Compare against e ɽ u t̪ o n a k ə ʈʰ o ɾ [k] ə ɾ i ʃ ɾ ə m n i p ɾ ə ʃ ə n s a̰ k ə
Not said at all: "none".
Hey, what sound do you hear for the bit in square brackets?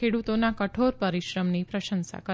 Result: p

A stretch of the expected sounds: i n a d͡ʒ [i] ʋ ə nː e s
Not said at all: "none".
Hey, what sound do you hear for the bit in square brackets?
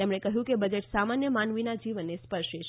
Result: i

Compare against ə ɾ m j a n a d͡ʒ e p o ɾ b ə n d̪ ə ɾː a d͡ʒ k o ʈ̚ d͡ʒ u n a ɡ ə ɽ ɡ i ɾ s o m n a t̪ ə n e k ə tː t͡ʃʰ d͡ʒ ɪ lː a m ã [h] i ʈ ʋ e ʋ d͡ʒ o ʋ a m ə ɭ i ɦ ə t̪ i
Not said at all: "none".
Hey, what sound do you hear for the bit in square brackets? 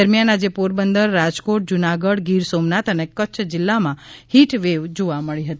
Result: h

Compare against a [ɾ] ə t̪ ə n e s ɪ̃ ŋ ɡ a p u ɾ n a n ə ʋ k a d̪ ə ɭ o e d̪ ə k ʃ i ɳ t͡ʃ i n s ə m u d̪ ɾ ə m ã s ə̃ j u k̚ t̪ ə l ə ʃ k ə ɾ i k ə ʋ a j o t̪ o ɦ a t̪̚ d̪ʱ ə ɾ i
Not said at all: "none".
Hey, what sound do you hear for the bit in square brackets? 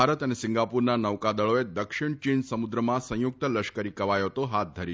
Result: ɾ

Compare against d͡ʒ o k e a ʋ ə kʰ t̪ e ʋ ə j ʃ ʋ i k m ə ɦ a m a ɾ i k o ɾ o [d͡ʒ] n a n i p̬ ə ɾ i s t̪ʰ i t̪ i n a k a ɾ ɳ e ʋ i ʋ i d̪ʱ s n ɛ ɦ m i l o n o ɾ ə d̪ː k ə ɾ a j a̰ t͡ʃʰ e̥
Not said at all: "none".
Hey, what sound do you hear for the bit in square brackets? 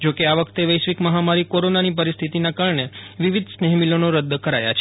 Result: none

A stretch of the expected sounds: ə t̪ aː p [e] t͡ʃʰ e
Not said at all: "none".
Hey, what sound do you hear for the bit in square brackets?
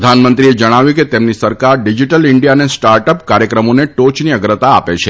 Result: e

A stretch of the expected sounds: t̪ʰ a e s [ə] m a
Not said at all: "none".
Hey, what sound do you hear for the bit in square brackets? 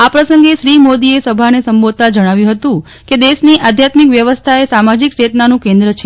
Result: a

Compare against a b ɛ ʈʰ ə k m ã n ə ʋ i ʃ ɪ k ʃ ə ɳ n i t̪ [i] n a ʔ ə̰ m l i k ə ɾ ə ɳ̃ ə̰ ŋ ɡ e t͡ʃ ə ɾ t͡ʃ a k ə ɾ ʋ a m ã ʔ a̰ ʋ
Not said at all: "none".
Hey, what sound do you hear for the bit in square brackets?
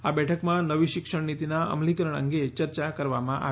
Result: i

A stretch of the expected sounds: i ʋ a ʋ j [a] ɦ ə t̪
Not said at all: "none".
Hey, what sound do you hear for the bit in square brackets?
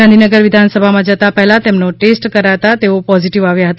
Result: a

